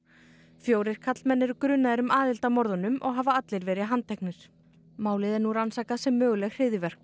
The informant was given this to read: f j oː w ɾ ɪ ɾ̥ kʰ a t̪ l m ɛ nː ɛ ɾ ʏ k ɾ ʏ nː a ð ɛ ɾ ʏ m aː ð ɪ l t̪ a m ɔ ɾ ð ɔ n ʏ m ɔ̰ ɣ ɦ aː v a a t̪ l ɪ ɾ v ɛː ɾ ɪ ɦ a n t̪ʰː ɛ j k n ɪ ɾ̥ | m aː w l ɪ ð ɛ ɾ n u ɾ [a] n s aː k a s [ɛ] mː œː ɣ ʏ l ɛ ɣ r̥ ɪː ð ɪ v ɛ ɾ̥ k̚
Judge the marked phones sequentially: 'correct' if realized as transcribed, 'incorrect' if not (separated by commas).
correct, correct